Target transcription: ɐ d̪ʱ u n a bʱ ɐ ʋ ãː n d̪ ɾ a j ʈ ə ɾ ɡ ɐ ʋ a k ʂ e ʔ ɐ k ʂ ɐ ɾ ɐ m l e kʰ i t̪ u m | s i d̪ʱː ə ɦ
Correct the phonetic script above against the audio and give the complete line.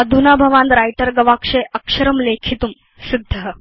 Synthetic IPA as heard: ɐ d̪ʱ u n a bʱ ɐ ʋ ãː n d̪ ɾ a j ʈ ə ɾ ɡ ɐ ʋ a k ʂ e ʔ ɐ k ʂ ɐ ɾ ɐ m l e kʰ i t̪ u m | s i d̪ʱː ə ɦ